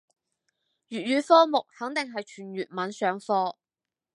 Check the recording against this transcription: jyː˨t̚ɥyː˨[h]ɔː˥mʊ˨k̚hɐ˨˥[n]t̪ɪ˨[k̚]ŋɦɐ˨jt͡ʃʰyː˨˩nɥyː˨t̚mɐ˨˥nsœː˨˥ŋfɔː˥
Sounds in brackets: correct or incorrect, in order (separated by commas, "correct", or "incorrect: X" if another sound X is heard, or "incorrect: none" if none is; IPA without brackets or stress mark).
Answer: incorrect: f, incorrect: ŋ, incorrect: none